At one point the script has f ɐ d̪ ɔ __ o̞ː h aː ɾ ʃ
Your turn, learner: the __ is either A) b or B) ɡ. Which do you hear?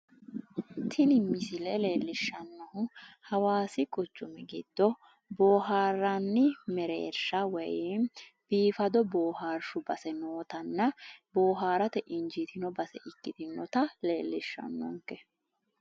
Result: A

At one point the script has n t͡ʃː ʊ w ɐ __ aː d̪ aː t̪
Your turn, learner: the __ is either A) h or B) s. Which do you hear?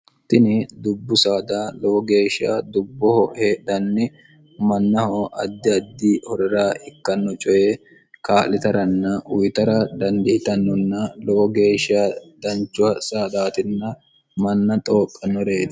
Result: B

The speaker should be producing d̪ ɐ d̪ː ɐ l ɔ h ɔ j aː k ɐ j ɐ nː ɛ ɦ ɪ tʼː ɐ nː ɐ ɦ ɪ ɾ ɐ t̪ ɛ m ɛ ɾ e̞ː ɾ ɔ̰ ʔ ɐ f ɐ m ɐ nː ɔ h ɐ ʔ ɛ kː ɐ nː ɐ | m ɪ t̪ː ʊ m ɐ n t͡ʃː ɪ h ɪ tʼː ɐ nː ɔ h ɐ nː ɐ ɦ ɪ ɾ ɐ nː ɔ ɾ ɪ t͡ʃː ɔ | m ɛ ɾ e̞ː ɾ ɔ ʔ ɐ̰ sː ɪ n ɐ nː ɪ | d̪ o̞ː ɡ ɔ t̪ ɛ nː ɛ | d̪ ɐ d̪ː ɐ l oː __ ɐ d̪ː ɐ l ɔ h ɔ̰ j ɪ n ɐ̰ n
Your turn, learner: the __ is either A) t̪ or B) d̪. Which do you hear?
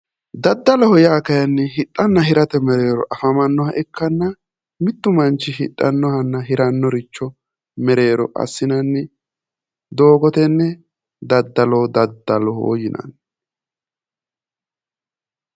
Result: B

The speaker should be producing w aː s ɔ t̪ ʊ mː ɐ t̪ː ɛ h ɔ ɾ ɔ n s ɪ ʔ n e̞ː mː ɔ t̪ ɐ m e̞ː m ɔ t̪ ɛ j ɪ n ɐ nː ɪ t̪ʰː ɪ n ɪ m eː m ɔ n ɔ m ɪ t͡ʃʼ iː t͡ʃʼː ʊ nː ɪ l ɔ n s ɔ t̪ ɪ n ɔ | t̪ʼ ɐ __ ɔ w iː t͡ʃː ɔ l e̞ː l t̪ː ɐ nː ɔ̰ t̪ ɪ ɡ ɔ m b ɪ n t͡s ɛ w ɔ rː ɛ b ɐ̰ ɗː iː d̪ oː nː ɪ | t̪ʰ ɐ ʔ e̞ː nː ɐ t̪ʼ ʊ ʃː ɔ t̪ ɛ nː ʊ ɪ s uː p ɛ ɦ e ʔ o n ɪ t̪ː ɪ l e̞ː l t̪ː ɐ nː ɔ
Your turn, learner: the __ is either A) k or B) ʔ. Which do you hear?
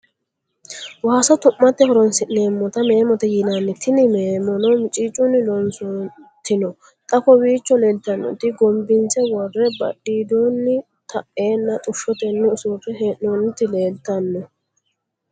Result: A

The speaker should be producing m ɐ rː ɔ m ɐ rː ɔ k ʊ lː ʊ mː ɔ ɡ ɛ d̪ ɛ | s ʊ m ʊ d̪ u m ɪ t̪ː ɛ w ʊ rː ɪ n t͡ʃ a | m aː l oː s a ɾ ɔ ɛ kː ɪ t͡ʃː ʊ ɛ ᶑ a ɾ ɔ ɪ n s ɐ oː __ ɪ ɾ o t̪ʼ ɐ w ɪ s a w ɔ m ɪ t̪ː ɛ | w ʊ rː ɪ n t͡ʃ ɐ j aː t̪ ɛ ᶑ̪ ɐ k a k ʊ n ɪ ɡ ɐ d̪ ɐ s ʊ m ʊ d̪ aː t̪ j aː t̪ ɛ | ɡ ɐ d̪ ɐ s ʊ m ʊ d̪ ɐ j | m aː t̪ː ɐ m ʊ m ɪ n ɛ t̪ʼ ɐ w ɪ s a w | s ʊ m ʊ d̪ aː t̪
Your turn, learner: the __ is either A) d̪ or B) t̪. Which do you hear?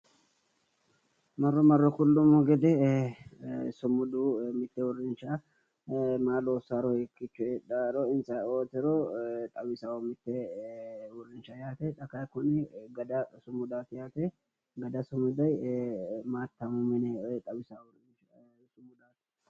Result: B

